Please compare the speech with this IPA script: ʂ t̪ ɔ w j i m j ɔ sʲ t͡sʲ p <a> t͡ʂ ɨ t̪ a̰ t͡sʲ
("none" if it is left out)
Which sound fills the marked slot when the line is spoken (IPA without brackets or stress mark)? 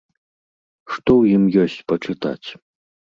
ɐ